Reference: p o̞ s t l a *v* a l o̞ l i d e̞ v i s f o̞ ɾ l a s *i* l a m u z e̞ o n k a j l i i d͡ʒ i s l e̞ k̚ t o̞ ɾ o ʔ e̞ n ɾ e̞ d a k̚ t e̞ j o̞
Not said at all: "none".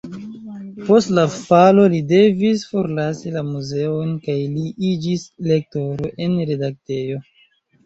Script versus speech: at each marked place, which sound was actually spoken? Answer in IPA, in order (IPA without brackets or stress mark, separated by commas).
f, i